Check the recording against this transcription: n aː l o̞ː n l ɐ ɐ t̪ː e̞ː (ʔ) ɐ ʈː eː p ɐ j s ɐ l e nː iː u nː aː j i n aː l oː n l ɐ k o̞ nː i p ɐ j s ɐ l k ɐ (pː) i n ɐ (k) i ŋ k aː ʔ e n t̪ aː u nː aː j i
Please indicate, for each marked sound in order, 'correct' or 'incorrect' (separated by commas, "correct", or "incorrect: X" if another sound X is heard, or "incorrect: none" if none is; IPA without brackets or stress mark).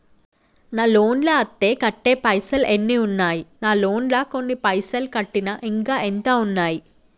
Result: incorrect: k, incorrect: ʈː, incorrect: ʔ